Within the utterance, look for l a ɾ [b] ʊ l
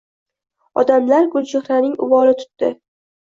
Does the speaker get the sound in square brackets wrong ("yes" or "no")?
yes